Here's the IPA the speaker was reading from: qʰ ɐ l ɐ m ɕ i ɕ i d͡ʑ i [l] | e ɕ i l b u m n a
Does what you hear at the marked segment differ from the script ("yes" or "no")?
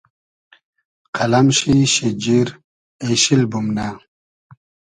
yes